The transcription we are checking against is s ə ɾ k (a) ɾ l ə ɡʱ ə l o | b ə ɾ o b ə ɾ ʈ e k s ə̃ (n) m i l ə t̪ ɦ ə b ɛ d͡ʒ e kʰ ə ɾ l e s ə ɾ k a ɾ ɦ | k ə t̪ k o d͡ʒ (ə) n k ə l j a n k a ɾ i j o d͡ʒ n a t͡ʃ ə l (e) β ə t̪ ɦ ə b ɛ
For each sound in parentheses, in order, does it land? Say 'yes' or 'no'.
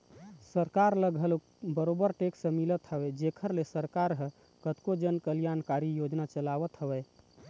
yes, no, yes, no

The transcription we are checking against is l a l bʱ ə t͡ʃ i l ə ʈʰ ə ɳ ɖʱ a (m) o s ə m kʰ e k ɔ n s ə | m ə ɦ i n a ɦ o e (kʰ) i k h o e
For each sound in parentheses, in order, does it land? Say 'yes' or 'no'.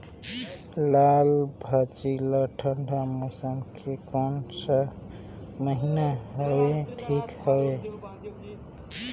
yes, no

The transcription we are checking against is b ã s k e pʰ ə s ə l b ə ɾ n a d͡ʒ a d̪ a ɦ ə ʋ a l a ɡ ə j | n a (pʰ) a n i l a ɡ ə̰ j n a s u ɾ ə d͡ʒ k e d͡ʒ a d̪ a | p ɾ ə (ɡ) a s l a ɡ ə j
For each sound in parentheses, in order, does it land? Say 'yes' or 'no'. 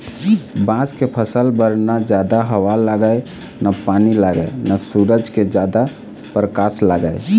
no, no

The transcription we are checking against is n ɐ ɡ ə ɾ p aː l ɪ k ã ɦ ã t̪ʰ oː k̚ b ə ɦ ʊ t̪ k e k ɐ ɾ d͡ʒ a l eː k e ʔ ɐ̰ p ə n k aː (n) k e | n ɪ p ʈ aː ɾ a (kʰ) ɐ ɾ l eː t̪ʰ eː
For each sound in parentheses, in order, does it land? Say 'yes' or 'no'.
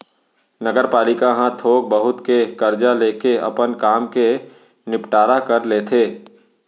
no, no

